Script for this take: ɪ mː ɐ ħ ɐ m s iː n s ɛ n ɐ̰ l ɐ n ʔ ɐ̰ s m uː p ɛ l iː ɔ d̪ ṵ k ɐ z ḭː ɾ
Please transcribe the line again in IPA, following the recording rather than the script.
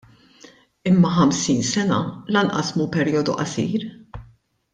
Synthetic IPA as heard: ɪ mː ɐ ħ ɐ m s iː n s ɛ n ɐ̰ l ɐ n ʔ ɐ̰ s m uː p ɛ ɾ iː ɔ d̪ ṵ ʔ ɐ s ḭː ɾ